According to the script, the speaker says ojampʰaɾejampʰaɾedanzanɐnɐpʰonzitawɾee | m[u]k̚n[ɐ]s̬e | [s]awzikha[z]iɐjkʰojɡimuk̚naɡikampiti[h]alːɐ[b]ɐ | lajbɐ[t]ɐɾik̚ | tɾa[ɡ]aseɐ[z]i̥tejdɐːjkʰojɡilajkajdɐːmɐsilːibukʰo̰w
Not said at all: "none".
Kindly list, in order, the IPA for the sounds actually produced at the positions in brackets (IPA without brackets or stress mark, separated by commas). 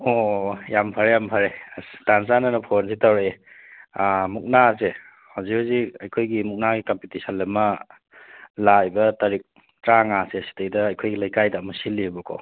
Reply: u, a, h, z, s, m, t, ŋ, s